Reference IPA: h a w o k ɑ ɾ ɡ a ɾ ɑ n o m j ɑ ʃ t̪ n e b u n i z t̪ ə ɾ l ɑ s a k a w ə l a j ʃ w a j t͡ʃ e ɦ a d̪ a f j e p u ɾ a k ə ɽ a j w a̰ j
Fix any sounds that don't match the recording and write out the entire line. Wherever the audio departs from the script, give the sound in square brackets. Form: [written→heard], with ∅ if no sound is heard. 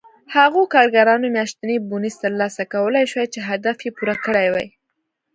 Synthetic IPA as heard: h a [w→ɣ] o k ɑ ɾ ɡ a ɾ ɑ n o m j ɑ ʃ t̪ n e b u n i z t̪ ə ɾ l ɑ s a k a w ə l a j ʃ w a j t͡ʃ e ɦ a d̪ a f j e p u ɾ a k ə ɽ a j w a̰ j